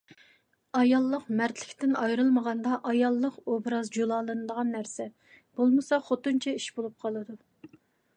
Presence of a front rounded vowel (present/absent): absent